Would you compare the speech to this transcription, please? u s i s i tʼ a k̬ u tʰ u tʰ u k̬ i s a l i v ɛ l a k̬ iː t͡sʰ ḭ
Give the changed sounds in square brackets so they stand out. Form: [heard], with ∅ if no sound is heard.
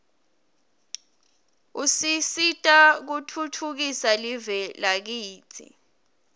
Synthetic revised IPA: u s i s i tʼ a k̬ u tʰ u tʰ u k̬ i s a l i v ɛ l a k̬ iː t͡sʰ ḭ